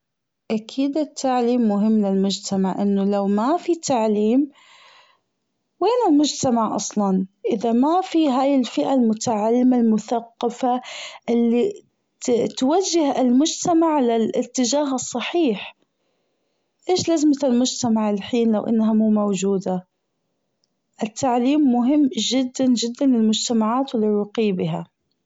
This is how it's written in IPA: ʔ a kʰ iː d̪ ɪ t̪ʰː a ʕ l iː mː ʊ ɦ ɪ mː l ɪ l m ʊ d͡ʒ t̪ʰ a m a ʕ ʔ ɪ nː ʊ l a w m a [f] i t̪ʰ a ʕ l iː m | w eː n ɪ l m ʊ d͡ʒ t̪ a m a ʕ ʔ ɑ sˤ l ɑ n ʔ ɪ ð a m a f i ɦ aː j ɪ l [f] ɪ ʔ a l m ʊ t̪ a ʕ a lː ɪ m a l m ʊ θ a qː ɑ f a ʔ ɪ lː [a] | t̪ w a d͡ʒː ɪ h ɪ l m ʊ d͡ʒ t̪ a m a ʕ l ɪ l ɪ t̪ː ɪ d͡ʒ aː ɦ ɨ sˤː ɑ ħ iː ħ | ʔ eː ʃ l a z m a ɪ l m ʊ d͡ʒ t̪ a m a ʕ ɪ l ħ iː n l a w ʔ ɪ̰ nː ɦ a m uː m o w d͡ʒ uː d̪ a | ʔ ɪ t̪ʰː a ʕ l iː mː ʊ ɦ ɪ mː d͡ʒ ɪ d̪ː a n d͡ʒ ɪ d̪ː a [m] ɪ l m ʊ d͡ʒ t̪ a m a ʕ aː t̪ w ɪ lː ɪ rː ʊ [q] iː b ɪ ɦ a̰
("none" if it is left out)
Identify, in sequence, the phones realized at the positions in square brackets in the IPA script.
f, f, i, n, q

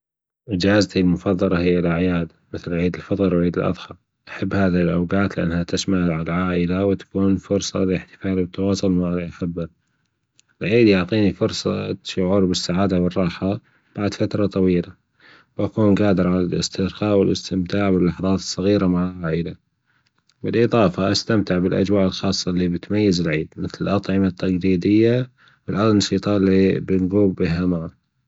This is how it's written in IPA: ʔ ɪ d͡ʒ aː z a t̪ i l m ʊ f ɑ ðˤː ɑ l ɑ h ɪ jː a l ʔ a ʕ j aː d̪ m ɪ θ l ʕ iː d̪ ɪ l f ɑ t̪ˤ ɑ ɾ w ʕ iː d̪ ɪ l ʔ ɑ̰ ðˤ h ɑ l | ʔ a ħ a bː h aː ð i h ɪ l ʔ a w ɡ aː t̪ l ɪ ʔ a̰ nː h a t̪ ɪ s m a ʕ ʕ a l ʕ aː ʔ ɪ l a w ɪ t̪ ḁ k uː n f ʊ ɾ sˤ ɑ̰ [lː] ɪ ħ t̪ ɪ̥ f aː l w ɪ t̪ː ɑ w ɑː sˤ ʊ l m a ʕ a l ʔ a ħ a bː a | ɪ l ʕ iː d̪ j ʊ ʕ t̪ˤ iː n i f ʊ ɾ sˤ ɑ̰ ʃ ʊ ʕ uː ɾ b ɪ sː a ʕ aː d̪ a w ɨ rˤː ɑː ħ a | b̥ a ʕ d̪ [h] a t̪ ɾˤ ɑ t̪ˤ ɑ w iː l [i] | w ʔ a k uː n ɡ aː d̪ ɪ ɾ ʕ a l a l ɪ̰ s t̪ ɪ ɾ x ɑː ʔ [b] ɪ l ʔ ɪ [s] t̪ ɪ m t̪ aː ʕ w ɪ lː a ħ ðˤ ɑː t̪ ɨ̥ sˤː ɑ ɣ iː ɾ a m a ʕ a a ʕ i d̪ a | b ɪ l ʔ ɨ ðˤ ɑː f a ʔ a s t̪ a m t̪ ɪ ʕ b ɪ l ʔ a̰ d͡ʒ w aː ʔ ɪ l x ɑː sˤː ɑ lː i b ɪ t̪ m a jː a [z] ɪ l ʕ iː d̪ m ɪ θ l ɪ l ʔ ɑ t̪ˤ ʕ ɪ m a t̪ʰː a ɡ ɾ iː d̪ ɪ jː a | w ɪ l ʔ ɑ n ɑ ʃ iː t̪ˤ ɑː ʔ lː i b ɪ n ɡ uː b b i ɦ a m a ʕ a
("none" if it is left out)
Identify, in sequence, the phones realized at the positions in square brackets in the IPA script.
l, f, a, w, s, z

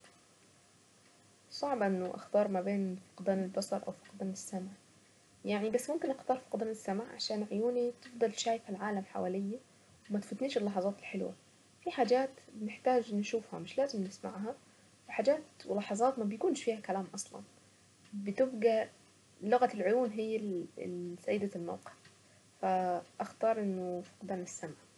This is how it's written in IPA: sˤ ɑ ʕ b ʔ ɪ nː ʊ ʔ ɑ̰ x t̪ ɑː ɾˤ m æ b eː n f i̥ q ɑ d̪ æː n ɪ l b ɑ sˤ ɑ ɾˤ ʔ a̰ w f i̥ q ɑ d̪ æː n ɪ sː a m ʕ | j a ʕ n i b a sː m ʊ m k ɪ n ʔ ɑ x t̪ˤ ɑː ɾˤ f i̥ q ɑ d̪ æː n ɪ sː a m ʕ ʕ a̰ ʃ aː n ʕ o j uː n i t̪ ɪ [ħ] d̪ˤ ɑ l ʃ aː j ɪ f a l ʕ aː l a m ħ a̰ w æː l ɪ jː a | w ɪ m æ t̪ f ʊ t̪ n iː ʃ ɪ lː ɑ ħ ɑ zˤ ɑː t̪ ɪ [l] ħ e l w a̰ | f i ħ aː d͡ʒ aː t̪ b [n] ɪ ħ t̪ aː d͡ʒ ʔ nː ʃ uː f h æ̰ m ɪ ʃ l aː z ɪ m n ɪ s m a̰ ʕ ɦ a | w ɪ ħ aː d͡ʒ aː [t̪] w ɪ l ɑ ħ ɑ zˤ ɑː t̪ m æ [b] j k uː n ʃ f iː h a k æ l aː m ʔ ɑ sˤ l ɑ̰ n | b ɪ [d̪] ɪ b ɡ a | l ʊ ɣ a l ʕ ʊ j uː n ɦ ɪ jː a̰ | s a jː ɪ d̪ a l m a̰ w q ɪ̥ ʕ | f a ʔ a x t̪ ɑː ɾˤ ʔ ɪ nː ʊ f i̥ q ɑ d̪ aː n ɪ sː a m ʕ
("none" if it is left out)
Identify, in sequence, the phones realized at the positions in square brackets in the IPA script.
f, l, n, t̪, b, t̪

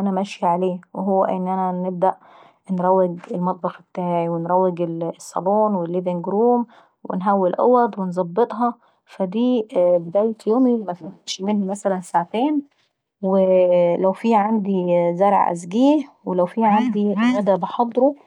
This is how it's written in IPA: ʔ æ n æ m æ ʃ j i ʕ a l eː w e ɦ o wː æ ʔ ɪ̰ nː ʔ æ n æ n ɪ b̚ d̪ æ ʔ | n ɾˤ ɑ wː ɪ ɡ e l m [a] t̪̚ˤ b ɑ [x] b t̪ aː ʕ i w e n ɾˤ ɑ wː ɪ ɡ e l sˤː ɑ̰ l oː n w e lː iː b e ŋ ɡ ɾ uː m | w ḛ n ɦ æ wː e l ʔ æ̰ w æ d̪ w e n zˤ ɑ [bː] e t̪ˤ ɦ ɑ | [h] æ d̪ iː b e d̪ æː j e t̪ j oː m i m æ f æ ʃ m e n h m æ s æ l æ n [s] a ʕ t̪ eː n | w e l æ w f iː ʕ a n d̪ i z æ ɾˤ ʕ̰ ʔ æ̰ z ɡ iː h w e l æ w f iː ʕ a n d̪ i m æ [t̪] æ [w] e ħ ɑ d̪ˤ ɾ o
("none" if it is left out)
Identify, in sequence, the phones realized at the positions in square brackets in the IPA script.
ɑ, x, bː, f, s, d̪, b

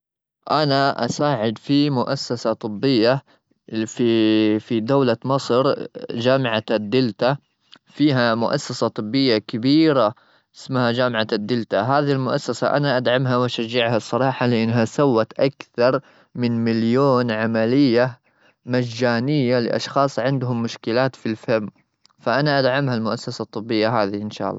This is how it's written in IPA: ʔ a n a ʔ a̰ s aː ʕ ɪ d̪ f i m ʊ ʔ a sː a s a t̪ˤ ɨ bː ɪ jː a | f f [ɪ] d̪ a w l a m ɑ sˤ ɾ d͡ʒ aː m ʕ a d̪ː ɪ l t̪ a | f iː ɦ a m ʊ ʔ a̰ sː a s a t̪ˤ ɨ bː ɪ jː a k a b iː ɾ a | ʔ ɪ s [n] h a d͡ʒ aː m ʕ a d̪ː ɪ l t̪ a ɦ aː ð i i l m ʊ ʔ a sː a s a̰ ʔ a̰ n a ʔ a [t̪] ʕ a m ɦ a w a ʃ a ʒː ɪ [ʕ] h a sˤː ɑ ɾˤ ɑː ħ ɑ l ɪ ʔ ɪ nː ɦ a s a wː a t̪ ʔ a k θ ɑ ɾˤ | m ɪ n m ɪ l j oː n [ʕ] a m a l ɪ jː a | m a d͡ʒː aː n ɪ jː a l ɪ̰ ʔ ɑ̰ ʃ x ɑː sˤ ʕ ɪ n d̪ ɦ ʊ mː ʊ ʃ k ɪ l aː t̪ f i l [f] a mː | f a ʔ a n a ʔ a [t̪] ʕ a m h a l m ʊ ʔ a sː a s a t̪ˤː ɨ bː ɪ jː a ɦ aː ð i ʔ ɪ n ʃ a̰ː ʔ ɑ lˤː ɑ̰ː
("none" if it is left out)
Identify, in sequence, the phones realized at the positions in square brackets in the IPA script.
i, m, d̪, ʕ, ʕ, f, d̪

